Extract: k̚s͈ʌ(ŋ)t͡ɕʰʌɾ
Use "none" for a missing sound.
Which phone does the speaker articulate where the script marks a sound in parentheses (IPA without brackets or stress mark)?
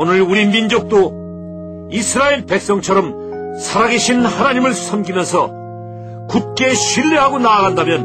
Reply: ŋ